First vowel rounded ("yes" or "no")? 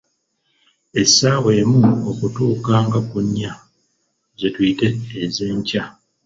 no